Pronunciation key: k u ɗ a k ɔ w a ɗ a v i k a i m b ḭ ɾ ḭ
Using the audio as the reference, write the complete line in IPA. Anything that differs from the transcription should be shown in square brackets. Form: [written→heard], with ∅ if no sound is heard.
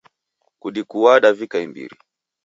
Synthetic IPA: k u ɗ [a→i] k [ɔ→u] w a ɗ a v i k a i m b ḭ ɾ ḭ